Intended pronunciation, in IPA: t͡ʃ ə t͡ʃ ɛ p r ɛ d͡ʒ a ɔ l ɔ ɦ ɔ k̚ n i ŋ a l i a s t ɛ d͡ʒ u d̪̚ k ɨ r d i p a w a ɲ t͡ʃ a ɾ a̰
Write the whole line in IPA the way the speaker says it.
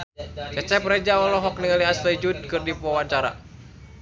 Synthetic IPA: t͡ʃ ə t͡ʃ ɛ p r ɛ d͡ʒ a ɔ l ɔ ɦ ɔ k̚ n i ŋ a l i a s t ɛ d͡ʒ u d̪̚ k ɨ r d i p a w a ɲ t͡ʃ a ɾ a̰